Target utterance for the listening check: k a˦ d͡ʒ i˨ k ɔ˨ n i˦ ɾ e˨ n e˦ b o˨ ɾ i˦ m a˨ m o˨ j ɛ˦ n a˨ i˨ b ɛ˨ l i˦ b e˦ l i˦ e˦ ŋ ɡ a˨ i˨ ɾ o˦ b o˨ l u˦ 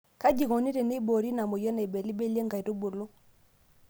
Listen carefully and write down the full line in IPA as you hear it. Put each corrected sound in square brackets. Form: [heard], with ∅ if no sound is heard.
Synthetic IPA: k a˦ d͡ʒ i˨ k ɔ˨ n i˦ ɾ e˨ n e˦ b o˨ ɾ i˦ [n] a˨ m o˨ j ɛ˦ n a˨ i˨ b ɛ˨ l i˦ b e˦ l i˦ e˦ ŋ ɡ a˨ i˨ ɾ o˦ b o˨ l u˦